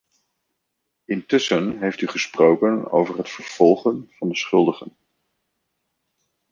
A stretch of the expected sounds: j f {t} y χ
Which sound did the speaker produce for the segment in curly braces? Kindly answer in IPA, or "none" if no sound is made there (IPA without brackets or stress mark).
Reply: t